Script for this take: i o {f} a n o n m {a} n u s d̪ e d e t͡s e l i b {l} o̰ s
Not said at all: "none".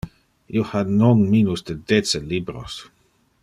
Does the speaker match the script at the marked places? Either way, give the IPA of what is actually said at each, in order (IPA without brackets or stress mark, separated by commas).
h, i, ɾ